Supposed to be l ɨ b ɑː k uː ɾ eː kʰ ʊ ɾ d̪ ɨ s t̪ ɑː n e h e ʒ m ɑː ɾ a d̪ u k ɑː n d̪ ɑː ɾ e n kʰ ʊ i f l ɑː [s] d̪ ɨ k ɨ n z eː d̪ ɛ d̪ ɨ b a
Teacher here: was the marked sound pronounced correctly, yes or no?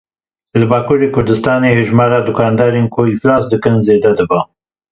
yes